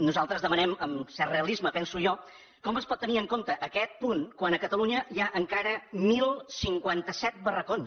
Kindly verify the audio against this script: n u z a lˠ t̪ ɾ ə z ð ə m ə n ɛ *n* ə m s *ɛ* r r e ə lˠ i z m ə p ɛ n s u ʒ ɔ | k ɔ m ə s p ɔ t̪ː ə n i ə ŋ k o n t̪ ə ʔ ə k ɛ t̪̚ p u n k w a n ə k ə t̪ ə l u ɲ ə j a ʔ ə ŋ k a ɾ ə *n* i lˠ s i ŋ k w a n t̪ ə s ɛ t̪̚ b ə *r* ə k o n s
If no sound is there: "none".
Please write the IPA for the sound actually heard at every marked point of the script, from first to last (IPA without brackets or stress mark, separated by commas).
m, ɛ, m, r